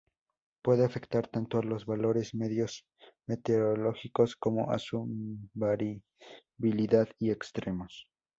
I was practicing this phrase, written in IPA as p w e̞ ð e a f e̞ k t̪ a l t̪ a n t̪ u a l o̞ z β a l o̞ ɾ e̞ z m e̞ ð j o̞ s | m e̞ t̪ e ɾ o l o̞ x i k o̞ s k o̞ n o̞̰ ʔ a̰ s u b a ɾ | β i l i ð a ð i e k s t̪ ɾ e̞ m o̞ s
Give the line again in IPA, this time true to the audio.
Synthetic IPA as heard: p w e̞ ð e a f e̞ k t̪ a ɾ t̪ a n t̪ o a l o̞ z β a l o̞ ɾ e̞ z m e̞ ð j o̞ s | m e̞ t̪ e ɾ o l o̞ x i k o̞ s k o̞ m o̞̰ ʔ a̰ s u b a ɾ | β i l i ð a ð i e k s t̪ ɾ e̞ m o̞ s

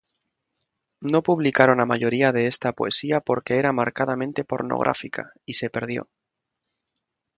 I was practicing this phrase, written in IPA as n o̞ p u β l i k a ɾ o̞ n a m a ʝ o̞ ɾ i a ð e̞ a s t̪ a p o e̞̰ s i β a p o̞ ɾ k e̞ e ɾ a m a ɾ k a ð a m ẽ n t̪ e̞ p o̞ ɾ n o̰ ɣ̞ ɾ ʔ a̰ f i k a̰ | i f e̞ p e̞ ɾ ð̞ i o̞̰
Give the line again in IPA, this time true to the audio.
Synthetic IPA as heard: n o̞ p u β l i k a ɾ o̞ n a m a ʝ o̞ ɾ i a ð e̞ e s t̪ a p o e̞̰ s i a p o̞ ɾ k e̞ e ɾ a m a ɾ k a ð a m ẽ n t̪ e̞ p o̞ ɾ n o̰ ɣ̞ ɾ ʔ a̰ f i k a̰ | i s e̞ p e̞ ɾ ð̞ j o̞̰

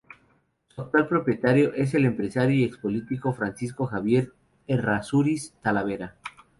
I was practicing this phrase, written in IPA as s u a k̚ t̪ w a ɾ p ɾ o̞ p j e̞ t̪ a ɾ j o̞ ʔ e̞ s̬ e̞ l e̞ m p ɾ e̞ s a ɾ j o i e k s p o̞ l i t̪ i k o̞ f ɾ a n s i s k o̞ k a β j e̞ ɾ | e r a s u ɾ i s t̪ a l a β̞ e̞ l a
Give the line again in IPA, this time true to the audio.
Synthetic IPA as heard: s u a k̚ t̪ w a l p ɾ o̞ p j e̞ t̪ a ɾ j o̞ ʔ e̞ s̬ e̞ l e̞ m p ɾ e̞ s a ɾ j o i e k s p o̞ l i t̪ i k o̞ f ɾ a n s i s k o̞ x a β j e̞ ɾ | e r a s u ɾ i s t̪ a l a β̞ e̞ ɾ a

